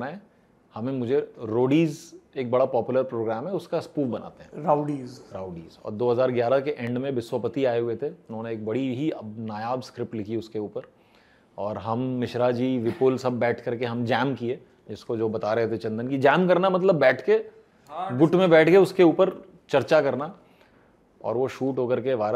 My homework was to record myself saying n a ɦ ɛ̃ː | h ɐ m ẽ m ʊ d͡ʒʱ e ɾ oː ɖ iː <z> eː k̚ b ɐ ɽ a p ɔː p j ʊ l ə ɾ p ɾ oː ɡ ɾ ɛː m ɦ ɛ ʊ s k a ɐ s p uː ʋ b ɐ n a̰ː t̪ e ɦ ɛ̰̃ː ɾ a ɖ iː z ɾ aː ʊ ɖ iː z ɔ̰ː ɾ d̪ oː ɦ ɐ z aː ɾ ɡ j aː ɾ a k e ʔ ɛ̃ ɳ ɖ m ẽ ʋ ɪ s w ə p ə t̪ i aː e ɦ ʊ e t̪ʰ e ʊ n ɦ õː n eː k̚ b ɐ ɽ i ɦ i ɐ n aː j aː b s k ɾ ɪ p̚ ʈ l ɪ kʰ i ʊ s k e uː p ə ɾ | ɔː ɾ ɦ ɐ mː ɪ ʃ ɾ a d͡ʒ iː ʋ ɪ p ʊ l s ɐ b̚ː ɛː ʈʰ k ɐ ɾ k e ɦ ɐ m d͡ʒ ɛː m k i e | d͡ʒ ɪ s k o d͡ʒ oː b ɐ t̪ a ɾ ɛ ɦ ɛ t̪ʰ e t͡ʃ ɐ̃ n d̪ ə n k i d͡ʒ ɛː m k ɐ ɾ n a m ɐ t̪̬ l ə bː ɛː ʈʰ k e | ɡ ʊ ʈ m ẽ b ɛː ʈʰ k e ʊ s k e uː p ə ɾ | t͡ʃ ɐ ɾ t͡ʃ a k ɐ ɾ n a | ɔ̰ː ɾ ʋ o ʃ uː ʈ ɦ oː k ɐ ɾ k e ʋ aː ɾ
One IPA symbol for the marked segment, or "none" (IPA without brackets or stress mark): z